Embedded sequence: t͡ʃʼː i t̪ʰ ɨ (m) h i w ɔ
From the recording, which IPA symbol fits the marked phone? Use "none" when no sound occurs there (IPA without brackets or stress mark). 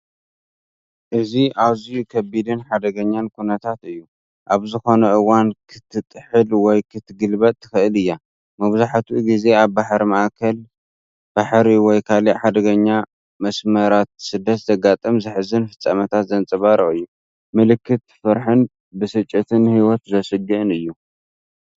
n